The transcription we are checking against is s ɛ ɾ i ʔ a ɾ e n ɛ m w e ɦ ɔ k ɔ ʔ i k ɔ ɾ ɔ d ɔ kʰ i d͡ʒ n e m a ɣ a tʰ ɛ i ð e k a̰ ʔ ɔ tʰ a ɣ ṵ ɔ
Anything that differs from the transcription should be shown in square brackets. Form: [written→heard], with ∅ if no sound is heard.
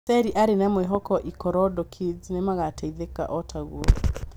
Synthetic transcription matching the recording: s ɛ ɾ i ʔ a ɾ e n ɛ m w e ɦ ɔ k ɔ ʔ i k ɔ ɾ ɔ d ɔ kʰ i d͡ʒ n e m a ɣ a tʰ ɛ i ð e k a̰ ʔ ɔ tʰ a ɣ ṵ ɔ